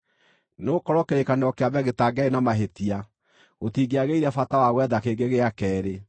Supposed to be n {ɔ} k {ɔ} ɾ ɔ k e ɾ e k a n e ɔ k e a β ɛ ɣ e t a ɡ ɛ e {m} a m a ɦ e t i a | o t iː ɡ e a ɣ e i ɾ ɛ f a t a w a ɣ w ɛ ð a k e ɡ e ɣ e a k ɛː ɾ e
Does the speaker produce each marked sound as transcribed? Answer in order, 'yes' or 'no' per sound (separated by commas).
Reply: no, yes, no